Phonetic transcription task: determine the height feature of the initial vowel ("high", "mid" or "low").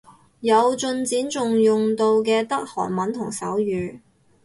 low